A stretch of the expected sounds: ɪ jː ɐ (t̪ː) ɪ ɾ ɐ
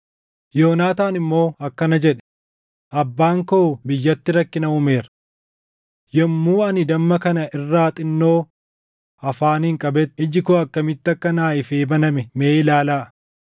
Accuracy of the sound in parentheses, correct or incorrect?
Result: correct